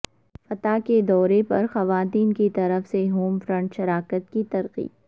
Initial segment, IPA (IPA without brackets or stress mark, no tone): f